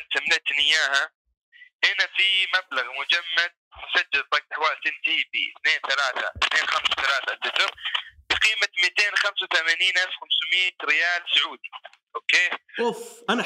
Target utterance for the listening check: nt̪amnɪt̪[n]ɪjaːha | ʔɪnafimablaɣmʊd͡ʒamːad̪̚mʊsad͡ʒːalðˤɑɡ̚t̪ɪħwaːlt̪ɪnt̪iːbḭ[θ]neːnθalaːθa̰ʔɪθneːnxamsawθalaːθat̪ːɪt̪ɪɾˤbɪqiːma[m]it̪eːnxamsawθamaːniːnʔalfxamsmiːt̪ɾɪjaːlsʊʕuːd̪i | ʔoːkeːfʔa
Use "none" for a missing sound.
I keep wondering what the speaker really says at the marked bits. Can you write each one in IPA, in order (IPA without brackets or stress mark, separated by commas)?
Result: n, θ, m